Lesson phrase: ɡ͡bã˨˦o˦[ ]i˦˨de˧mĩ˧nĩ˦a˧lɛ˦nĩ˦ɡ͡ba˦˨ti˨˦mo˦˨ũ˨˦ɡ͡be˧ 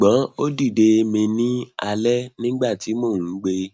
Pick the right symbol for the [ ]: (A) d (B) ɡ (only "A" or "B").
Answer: A